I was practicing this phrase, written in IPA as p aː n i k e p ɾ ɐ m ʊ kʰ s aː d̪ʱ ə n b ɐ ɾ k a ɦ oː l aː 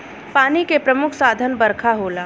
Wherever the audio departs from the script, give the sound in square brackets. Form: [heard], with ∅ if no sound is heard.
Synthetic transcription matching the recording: p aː n i k e p ɾ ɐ m ʊ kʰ s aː d̪ʱ ə n b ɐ ɾ [kʰ] a ɦ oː l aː